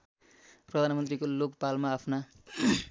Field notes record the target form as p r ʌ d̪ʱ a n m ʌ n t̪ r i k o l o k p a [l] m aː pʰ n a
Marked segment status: correct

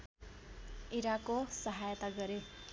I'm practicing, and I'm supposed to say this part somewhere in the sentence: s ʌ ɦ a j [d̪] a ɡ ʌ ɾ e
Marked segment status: incorrect: t̪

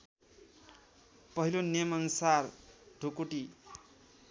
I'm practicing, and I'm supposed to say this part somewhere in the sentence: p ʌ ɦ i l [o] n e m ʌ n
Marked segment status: correct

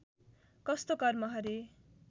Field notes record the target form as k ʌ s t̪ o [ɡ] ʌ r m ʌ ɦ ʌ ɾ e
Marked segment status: incorrect: k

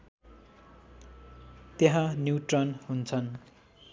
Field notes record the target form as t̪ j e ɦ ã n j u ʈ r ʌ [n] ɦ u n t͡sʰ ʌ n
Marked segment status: correct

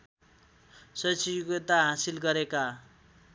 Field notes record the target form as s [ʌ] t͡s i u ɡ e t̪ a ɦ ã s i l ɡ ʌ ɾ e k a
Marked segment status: correct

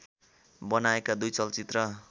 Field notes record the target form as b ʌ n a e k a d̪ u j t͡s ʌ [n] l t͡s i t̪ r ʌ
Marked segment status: incorrect: none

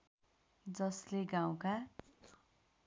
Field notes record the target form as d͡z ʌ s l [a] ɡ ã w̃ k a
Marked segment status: incorrect: e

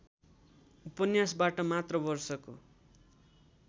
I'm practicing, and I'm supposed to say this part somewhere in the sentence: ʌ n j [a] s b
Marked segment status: correct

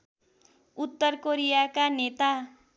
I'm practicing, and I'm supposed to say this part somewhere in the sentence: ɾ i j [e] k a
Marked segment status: incorrect: a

